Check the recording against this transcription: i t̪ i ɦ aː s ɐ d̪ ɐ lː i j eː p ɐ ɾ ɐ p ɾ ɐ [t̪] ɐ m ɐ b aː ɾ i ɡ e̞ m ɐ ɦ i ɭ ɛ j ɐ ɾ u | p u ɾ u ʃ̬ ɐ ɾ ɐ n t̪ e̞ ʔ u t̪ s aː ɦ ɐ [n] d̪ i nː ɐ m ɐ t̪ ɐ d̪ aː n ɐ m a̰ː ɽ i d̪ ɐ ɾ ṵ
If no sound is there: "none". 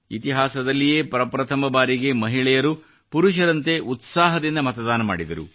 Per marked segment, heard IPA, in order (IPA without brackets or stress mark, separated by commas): t̪ʰ, none